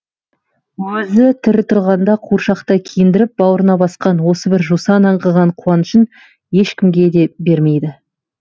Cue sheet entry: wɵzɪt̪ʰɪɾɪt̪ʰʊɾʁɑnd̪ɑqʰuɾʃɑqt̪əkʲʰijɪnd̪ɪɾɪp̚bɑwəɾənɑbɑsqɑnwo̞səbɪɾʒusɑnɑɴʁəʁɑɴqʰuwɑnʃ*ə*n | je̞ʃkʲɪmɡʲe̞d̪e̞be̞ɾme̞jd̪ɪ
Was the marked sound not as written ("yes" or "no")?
no